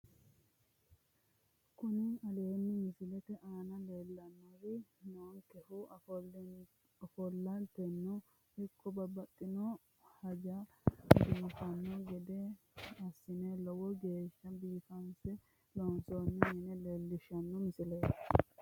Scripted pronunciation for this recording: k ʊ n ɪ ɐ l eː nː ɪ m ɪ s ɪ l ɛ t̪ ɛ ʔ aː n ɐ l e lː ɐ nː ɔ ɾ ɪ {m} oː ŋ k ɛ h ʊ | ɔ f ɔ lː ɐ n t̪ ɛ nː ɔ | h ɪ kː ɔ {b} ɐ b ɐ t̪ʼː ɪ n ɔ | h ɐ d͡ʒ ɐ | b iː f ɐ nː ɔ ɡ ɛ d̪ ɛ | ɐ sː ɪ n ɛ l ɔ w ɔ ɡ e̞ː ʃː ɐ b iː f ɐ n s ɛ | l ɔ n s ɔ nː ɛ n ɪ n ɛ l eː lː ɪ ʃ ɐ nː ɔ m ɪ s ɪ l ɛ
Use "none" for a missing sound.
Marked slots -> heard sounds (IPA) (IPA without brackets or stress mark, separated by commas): n, b